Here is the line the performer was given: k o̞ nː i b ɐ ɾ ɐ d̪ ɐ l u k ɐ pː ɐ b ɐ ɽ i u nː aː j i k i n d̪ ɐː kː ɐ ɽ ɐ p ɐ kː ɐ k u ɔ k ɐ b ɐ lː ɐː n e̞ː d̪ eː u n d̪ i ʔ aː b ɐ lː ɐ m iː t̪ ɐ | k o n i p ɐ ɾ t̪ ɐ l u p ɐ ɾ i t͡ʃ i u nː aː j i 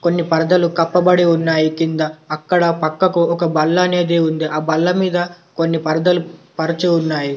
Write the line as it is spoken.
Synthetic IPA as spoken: k o̞ nː i p ɐ ɾ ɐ d̪ ɐ l u k ɐ pː ɐ b ɐ ɽ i u nː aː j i k i n d̪ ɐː kː ɐ ɽ ɐ p ɐ kː ɐ k u ɔ k ɐ b ɐ lː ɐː n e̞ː d̪ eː u n d̪ i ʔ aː b ɐ lː ɐ m iː d̪ ɐ | k o nː i p ɐ ɾ d̪ ɐ l u p ɐ ɾ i t͡ʃ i u nː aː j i